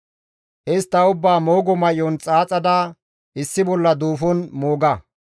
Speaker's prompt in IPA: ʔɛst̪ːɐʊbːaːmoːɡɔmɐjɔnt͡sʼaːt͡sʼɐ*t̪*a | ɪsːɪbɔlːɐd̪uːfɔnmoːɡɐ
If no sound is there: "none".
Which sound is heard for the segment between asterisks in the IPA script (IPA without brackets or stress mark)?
d̪